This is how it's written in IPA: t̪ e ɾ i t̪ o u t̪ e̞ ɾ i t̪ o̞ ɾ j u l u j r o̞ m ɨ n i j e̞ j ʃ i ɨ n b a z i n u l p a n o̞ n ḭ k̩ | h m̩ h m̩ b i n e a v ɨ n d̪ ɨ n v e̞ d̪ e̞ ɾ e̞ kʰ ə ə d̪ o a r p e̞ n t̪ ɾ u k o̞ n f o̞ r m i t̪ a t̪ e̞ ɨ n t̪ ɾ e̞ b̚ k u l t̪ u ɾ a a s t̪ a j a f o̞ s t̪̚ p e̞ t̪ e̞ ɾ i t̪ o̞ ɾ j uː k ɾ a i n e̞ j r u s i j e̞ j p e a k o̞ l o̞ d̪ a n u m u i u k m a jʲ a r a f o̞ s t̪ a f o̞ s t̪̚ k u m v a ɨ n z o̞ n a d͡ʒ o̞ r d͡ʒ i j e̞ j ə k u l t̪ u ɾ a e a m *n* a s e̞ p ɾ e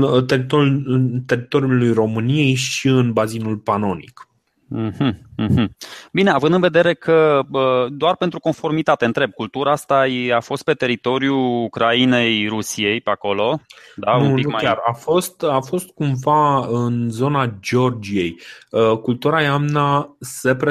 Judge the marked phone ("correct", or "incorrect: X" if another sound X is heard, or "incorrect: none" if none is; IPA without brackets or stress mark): correct